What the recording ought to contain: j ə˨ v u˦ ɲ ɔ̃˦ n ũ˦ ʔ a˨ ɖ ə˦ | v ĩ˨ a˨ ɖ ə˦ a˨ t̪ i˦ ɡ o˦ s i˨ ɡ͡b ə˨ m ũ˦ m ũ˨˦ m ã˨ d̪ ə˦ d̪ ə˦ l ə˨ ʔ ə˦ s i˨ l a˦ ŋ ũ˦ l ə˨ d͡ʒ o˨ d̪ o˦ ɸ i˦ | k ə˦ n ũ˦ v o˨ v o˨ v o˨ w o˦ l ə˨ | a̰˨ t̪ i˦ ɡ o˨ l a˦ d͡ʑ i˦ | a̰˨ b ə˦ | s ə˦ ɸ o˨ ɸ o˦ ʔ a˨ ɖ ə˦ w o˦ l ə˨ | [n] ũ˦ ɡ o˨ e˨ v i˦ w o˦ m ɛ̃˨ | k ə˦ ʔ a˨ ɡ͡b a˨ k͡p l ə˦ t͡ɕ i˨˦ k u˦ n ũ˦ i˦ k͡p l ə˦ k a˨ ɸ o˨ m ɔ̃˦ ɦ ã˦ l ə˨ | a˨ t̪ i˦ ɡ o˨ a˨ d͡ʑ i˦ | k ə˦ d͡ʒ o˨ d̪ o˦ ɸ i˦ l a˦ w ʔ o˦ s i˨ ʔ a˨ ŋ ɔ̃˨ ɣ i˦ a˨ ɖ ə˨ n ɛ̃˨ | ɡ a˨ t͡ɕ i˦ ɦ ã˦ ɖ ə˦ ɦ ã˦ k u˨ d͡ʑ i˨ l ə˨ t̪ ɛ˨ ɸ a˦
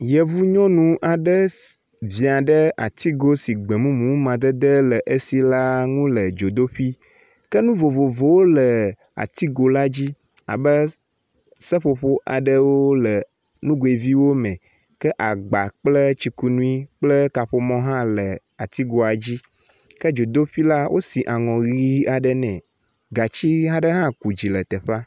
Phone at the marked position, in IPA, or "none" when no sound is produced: n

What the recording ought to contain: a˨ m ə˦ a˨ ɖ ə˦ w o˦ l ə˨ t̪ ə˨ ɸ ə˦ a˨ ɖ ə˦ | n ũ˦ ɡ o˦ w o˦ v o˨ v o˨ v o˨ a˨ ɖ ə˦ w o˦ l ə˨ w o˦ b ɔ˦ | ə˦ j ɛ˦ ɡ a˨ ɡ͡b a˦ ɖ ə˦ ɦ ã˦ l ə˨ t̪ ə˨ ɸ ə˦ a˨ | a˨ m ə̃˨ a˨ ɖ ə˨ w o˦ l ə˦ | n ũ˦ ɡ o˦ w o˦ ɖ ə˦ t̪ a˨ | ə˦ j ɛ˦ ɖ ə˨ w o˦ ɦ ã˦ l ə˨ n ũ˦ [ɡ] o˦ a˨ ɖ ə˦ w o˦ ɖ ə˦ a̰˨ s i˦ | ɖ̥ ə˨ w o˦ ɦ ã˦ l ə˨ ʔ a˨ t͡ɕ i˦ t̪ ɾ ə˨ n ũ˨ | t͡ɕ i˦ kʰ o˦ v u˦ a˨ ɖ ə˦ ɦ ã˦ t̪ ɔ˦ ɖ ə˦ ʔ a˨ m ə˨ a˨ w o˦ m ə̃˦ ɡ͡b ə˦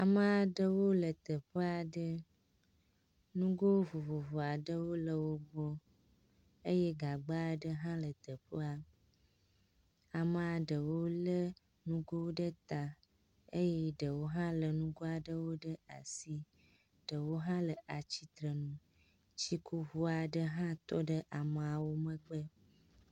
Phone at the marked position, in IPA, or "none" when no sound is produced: ɡ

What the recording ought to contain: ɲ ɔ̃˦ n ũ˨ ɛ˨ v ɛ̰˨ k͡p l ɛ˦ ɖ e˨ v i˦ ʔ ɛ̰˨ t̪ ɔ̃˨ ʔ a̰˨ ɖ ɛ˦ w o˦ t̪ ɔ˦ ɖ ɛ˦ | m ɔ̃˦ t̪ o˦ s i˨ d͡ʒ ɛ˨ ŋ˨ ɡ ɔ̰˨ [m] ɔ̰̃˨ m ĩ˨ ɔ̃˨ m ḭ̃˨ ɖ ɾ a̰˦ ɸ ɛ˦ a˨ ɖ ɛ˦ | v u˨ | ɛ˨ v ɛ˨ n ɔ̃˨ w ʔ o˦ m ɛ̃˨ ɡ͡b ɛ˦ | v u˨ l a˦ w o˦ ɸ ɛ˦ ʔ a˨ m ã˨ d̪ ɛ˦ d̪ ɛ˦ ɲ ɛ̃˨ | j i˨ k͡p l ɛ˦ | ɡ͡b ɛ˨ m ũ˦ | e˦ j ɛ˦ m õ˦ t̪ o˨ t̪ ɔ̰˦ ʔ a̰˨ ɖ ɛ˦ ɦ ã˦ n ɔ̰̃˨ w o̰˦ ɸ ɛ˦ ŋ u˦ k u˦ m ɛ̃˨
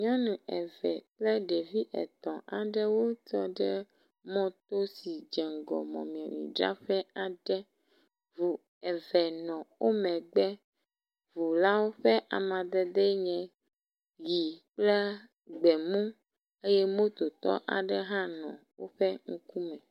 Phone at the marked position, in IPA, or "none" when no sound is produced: m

